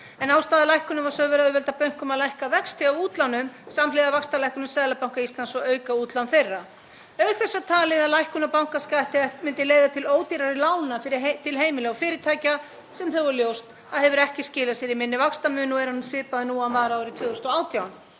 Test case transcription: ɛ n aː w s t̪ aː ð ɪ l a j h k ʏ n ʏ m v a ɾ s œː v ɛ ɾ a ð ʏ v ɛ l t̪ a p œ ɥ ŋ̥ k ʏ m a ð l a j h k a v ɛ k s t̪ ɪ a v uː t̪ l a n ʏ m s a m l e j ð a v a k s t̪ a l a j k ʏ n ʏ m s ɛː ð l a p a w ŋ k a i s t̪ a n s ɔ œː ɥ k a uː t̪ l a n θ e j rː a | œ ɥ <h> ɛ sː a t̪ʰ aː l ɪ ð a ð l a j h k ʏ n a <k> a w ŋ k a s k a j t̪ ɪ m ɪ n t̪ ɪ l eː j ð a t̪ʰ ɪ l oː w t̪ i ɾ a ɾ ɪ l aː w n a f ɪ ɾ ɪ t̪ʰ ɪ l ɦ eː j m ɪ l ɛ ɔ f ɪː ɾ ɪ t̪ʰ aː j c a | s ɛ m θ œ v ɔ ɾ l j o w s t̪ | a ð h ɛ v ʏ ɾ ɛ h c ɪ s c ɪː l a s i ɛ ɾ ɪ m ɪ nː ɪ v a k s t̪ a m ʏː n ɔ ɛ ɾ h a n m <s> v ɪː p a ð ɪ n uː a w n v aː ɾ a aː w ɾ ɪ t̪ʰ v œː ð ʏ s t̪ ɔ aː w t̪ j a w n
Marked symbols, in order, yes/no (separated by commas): no, no, yes